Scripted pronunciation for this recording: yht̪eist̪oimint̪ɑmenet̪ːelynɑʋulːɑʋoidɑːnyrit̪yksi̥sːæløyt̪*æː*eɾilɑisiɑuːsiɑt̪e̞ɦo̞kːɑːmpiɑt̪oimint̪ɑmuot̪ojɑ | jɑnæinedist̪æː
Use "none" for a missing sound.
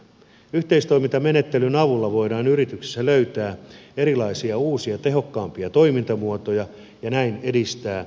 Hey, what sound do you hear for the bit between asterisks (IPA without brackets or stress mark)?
æː